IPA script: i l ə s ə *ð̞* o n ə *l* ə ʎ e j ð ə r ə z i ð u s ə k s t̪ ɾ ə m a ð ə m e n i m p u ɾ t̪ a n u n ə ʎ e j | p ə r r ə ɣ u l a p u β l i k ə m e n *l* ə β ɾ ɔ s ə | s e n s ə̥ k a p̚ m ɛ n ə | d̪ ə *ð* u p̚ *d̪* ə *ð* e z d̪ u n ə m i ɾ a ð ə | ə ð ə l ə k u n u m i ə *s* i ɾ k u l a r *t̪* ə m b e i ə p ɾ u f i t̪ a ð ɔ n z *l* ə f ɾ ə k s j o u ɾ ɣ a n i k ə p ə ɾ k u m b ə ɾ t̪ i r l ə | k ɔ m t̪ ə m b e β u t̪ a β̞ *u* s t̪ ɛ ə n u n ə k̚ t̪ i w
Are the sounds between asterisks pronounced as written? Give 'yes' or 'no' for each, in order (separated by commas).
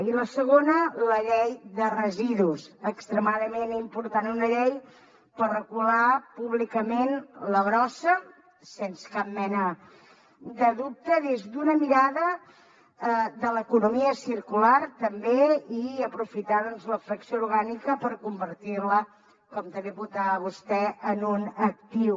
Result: no, yes, yes, yes, no, yes, yes, yes, yes, yes